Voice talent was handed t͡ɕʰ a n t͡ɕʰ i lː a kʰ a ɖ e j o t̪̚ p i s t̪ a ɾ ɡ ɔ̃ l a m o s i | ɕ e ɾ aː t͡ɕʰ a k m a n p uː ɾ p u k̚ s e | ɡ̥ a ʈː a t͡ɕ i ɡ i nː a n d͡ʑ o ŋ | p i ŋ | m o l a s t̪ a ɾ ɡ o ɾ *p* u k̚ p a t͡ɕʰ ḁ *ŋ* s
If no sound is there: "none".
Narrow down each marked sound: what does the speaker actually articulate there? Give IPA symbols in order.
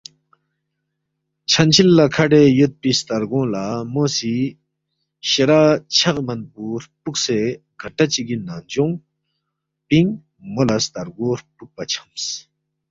p, m

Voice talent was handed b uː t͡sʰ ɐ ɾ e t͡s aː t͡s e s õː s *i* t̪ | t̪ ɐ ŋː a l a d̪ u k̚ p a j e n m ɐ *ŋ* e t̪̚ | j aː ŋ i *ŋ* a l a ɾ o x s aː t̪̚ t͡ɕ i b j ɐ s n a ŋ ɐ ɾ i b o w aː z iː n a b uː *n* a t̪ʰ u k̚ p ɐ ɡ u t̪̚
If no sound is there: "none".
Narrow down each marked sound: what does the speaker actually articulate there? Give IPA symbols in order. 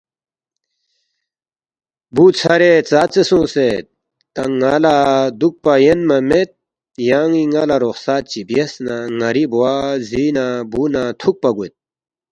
e, m, ŋ, n

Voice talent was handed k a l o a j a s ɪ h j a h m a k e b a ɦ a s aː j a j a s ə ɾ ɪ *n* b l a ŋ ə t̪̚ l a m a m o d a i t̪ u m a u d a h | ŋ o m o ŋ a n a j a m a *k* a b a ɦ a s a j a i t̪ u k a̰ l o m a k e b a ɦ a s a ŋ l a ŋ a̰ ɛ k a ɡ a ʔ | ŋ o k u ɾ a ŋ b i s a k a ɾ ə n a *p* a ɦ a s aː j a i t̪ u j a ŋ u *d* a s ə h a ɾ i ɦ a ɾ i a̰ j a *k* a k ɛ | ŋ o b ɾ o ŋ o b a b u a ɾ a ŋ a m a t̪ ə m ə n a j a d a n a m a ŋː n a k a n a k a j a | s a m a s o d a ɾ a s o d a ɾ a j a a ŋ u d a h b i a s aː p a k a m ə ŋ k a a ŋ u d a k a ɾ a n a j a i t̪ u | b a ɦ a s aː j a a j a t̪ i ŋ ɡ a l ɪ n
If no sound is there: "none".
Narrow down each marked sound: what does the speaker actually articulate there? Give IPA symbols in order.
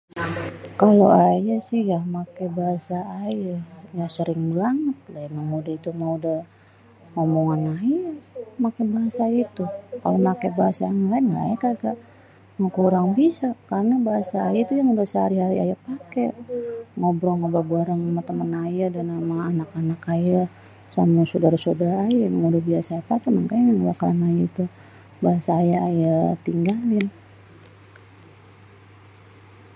ŋ, k, b, d, p

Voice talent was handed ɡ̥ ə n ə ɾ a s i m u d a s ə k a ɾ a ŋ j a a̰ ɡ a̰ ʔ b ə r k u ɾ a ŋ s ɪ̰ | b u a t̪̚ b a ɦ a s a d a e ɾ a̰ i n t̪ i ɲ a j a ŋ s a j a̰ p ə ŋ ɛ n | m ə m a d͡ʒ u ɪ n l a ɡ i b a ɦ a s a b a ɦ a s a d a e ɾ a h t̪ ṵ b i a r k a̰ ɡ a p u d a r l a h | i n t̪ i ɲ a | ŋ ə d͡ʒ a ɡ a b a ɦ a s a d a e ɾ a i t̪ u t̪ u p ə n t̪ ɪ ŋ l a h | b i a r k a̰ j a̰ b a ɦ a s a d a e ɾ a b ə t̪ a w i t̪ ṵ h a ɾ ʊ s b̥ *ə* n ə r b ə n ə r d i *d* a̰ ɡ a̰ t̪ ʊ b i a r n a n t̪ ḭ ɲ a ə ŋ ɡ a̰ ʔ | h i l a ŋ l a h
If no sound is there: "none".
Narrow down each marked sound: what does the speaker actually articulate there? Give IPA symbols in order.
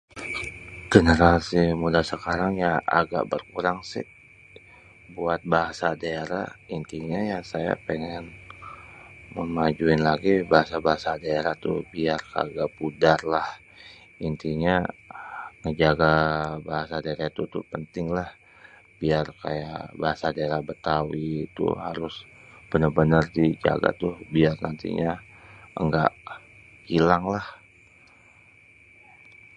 ə, d͡ʒ

